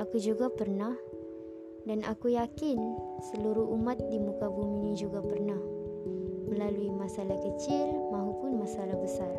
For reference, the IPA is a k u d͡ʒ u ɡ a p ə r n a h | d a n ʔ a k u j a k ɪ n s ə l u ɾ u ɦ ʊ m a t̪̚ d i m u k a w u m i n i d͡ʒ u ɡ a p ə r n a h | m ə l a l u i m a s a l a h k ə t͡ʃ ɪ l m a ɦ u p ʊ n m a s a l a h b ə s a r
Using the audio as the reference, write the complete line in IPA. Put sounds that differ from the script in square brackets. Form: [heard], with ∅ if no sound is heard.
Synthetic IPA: a k u d͡ʒ u ɡ a p ə r n a h | d a n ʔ a k u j a k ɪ n s ə l u ɾ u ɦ [u] m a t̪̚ d i m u k a [b] u m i n i d͡ʒ u ɡ a p ə r n a h | m ə l a l u i m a s a l a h k ə t͡ʃ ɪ l m a ɦ u p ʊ n m a s a l a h b ə s a r